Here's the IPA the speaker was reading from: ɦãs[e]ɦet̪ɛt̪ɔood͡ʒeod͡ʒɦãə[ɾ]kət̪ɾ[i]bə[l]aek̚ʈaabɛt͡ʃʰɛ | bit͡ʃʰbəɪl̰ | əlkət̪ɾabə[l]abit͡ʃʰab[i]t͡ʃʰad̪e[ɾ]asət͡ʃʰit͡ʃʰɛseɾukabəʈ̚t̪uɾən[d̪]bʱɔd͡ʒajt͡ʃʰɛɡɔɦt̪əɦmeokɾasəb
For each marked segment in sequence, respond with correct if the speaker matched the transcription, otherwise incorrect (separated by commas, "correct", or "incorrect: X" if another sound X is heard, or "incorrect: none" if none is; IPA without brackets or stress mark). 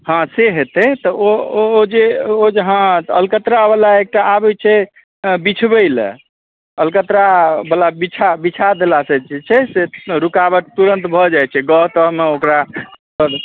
correct, incorrect: l, incorrect: a, correct, correct, correct, incorrect: l, incorrect: t̪